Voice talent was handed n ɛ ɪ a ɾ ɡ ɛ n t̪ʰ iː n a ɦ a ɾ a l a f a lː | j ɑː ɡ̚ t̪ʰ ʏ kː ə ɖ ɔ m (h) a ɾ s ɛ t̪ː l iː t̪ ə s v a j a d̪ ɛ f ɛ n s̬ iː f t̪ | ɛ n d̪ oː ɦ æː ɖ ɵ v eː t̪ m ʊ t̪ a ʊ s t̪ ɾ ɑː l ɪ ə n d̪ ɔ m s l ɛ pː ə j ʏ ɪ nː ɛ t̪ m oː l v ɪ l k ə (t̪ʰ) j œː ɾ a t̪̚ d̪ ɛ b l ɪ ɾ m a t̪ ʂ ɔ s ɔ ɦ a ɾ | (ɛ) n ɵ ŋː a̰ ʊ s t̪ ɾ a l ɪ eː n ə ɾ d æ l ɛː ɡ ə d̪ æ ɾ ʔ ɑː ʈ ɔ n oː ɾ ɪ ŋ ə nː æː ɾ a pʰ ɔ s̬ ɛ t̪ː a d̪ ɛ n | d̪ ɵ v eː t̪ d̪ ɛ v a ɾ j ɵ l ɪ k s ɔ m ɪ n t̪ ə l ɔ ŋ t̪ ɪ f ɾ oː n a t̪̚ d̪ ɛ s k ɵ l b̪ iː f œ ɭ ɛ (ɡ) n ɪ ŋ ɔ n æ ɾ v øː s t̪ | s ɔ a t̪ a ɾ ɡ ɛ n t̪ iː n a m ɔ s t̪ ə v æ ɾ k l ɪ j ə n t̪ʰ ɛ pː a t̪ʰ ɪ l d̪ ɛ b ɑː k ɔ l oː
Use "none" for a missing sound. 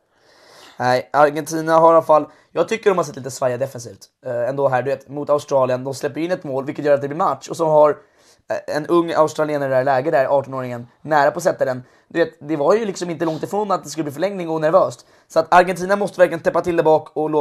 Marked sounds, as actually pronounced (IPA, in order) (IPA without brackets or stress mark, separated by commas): h, t̪, ɛ, ŋ